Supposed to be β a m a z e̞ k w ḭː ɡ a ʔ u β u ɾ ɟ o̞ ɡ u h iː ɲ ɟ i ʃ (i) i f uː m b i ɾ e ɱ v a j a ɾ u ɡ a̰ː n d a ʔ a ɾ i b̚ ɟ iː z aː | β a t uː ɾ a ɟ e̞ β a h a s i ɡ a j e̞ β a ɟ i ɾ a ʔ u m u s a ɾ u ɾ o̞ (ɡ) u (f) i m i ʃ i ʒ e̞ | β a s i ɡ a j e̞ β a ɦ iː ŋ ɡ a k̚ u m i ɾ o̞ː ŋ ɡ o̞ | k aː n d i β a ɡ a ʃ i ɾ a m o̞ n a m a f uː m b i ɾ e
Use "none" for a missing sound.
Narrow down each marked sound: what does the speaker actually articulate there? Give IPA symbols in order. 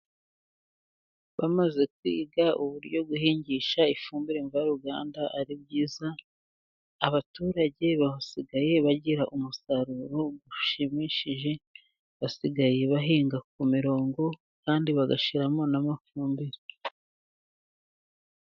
a, ɡ, ʃ

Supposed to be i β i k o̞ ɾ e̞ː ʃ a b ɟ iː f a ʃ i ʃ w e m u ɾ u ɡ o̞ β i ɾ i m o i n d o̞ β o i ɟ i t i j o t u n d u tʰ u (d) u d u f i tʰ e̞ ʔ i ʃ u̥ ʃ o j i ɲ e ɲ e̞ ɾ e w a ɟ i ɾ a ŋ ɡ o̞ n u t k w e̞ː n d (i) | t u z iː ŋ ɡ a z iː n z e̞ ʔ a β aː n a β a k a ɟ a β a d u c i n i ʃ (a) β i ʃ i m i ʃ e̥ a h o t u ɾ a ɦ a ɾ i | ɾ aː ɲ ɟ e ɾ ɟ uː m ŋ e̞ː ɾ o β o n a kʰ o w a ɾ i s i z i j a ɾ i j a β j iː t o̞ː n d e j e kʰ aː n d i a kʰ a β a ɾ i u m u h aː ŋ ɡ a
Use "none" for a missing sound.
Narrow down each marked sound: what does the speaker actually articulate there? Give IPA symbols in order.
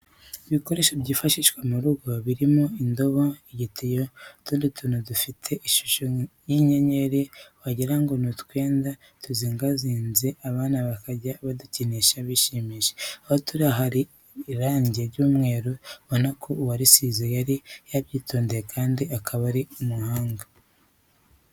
n, a, a

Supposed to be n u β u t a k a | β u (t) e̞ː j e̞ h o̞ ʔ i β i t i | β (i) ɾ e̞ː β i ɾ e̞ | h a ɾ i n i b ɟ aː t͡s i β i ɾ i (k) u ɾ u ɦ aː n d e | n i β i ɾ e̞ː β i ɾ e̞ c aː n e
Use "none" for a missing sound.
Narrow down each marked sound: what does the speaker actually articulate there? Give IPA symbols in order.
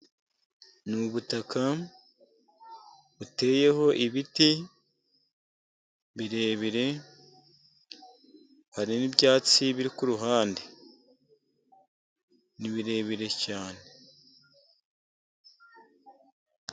t, i, k

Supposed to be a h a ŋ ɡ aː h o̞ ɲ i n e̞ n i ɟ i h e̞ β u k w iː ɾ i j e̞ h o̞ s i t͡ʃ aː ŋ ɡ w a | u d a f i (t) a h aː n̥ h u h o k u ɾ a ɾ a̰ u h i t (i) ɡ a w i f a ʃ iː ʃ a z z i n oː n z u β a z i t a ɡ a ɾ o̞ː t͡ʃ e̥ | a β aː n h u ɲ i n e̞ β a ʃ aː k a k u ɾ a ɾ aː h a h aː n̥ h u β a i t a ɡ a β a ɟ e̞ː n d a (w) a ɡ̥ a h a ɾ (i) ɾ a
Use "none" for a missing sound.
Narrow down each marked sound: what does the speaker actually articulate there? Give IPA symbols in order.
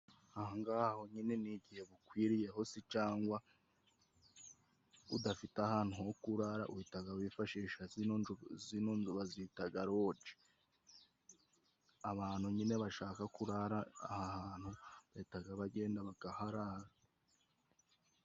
t, a, β, a

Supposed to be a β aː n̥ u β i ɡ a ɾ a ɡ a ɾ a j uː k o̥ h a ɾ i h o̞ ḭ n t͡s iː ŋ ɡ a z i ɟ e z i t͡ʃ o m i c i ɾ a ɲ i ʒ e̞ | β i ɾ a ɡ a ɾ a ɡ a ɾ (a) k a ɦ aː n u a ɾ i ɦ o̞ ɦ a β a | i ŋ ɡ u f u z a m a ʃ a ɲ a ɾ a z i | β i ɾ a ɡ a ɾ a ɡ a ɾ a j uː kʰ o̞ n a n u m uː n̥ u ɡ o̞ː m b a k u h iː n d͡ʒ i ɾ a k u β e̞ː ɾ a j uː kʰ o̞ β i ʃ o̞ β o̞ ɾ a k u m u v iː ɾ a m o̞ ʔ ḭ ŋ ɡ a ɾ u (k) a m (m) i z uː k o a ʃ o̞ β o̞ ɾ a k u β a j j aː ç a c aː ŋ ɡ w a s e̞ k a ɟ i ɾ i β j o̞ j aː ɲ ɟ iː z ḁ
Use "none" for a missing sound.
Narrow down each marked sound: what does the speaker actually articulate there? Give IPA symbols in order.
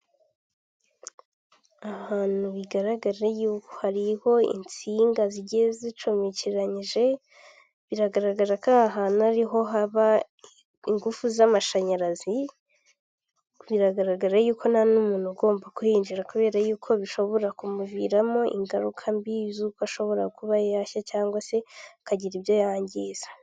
a, kʰ, b

